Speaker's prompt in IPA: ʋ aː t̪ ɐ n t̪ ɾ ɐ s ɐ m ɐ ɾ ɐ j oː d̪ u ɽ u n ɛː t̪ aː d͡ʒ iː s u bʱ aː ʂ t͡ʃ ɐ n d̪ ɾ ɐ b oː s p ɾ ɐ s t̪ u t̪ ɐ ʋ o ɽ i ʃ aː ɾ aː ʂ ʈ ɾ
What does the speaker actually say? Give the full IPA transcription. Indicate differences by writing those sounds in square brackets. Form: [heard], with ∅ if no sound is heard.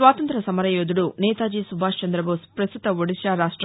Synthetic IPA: ʋ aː t̪ ɐ n t̪ ɾ ɐ s ɐ m ɐ ɾ ɐ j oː d̪ u ɽ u n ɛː t̪ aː d͡ʒ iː s u bʱ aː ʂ t͡ʃ ɐ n d̪ ɾ ɐ b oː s p ɾ ɐ s t̪ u t̪ ɐ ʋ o ɽ i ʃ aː ɾ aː ʂ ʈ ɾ